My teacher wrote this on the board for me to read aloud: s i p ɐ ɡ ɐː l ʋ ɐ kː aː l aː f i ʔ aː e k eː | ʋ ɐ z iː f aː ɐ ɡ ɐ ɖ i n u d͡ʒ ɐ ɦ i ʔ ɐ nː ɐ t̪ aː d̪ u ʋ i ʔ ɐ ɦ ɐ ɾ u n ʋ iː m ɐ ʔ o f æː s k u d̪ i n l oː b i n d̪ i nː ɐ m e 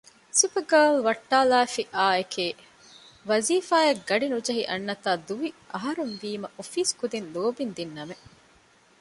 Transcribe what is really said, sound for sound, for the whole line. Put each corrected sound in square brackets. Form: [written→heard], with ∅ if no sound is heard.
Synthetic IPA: s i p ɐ ɡ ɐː l ʋ ɐ [kː→ʈː] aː l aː f i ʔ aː e k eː | ʋ ɐ z iː f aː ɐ ɡ ɐ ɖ i n u d͡ʒ ɐ ɦ i ʔ ɐ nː ɐ t̪ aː d̪ u ʋ i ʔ ɐ ɦ ɐ ɾ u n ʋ iː m ɐ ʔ o f [æː→iː] s k u d̪ i n l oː b i n d̪ i nː ɐ m e